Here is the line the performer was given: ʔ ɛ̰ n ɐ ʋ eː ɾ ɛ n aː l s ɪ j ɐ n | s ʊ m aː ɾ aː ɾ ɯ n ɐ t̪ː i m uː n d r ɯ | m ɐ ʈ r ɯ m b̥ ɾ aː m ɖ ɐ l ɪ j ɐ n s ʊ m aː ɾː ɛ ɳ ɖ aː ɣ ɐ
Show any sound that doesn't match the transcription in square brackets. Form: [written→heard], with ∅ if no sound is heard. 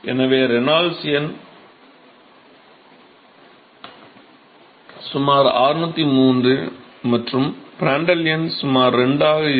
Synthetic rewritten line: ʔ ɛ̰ n ɐ ʋ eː ɾ ɛ n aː l s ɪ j ɐ n | s ʊ m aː ɾ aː ɾ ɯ n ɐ t̪ː i m uː n d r ɯ | m ɐ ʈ r ɯ m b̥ ɾ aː [m→ɳ] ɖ ɐ l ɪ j ɐ n s ʊ m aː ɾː ɛ ɳ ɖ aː ɣ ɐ